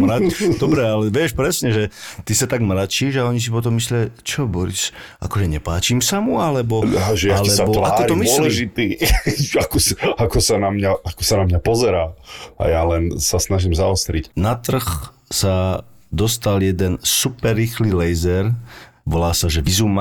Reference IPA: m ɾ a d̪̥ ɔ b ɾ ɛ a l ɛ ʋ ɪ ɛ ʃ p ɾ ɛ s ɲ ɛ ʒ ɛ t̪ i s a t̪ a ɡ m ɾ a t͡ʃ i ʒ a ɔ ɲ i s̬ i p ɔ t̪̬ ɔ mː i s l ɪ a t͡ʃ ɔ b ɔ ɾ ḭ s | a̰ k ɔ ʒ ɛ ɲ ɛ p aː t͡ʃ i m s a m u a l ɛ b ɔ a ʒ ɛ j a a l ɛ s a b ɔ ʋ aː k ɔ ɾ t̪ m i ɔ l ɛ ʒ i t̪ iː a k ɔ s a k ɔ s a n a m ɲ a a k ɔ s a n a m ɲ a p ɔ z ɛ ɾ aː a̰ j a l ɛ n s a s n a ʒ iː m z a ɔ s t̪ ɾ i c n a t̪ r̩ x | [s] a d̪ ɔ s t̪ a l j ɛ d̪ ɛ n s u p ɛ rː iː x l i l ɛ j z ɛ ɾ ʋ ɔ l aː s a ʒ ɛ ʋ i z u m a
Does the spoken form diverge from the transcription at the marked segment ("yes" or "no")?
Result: no